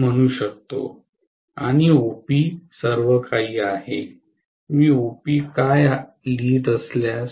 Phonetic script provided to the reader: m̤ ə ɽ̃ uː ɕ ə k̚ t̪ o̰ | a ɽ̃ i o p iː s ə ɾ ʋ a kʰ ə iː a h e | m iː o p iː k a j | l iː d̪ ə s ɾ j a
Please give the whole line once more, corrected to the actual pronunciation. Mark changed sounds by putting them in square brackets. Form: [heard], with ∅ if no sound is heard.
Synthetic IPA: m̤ ə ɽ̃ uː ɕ ə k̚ t̪ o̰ | a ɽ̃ i o p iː s ə ɾ ʋ [ə] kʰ [a] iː a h e | m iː o p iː k a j | l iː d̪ ə s [l] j a